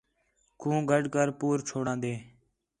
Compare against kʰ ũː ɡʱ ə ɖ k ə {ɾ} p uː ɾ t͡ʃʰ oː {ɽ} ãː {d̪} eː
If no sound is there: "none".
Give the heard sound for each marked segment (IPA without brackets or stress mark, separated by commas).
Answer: ɾ, ɽ, d̪